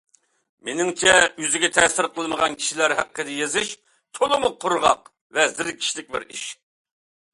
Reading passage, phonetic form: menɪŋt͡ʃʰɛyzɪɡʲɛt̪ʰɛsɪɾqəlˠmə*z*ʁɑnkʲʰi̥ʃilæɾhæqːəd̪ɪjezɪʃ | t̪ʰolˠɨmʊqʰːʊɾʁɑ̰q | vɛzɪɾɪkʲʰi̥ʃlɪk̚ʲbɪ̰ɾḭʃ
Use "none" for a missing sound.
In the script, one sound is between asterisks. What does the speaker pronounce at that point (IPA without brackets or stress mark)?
none